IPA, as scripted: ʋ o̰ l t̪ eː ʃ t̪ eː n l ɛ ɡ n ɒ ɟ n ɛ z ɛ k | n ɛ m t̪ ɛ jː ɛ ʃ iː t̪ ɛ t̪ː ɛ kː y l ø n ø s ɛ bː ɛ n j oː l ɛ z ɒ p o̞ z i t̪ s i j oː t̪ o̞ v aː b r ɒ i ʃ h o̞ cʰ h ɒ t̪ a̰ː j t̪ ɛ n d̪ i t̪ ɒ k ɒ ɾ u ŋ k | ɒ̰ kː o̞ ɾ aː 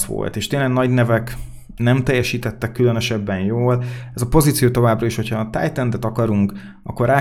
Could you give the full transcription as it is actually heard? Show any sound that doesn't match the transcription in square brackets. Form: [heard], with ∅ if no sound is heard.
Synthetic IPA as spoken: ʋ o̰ l t̪ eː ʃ t̪ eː n l ɛ ɡ n ɒ ɟ n ɛ [v] ɛ k | n ɛ m t̪ ɛ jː ɛ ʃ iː t̪ ɛ t̪ː ɛ kː y l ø n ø [ʃ] ɛ bː ɛ n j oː l ɛ z ɒ p o̞ z i t̪ s i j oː t̪ o̞ v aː b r ɒ i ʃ h o̞ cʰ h ɒ t̪ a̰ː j t̪ ɛ n d̪ [ɛ] t̪ ɒ k ɒ ɾ u ŋ k | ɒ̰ kː o̞ ɾ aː